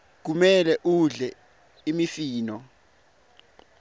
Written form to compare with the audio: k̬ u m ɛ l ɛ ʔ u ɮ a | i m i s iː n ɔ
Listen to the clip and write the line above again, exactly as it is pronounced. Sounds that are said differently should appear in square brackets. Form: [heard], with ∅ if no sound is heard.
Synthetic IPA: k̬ u m ɛ l ɛ ʔ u ɮ [ɛ] | i m i [f] iː n ɔ